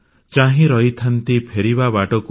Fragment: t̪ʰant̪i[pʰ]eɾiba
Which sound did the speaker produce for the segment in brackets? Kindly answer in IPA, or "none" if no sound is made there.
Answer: pʰ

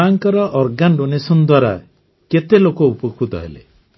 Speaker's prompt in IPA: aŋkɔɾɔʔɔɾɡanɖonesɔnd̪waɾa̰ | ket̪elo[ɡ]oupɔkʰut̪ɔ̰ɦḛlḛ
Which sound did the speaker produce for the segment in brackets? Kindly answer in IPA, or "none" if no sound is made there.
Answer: k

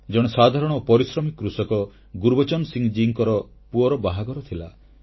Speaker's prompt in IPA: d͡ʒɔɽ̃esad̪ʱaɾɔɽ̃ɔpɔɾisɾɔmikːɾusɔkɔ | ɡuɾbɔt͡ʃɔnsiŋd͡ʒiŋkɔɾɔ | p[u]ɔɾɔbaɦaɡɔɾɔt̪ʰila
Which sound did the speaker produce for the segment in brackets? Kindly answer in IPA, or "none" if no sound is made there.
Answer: u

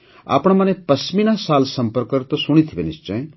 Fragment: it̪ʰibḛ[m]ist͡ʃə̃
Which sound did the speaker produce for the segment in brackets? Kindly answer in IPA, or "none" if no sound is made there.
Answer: n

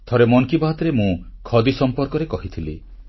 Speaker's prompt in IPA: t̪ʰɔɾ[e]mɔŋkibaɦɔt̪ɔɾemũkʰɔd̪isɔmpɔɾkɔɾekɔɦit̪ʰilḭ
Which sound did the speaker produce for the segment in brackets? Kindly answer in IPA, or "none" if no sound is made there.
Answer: e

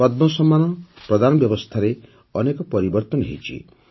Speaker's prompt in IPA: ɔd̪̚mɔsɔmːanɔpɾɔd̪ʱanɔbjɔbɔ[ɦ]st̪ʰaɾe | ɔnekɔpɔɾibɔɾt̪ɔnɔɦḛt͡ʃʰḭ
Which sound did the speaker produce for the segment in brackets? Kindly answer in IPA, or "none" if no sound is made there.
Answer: none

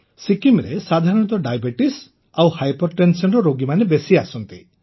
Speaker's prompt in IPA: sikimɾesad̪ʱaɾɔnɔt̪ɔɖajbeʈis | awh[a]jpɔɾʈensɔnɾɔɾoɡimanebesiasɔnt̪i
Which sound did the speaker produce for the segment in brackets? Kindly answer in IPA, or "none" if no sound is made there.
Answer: a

